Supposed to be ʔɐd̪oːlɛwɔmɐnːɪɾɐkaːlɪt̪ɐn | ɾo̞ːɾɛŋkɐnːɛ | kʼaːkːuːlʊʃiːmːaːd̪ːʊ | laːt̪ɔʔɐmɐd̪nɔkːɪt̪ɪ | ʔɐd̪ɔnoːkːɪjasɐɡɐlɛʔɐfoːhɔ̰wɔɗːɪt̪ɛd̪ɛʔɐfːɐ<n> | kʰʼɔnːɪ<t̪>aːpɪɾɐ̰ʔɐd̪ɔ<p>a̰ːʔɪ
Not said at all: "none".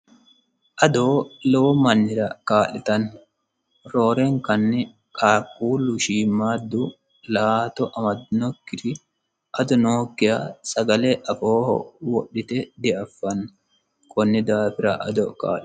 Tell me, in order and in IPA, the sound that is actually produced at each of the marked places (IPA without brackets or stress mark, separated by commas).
n, d̪, k